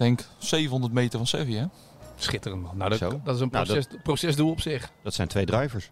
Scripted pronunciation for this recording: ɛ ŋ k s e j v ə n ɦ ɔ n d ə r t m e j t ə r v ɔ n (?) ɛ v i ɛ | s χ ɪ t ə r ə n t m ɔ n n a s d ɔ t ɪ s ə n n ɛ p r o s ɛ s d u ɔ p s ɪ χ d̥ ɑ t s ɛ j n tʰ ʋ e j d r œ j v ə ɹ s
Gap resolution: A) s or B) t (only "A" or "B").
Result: A